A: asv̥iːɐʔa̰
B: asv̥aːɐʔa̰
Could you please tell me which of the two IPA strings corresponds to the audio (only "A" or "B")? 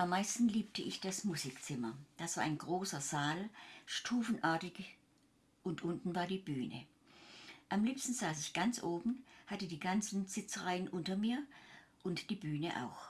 B